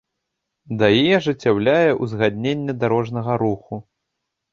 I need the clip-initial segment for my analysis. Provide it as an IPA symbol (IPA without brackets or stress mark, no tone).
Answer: d̪